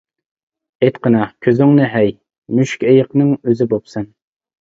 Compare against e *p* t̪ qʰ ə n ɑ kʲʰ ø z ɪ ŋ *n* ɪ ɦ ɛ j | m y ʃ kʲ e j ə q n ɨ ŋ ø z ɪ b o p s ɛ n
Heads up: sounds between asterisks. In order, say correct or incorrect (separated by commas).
incorrect, correct